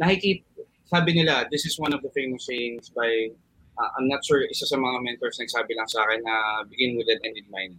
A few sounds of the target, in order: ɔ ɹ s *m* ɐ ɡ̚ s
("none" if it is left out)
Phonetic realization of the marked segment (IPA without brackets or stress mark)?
n